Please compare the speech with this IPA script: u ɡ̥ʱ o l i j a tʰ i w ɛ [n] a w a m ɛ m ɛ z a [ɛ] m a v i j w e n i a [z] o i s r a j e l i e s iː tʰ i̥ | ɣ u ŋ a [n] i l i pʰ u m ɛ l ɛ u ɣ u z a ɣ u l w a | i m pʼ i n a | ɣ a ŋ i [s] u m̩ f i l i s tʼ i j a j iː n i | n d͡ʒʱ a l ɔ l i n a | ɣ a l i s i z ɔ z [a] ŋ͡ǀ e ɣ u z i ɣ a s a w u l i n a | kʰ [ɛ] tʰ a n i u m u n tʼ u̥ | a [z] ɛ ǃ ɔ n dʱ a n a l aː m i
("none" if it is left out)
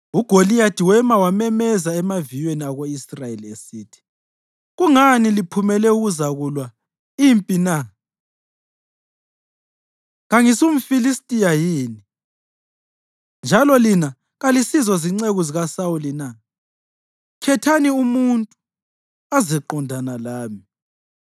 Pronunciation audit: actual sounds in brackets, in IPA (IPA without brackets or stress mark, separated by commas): m, ɛ, ɣ, n, s, i, ɛ, z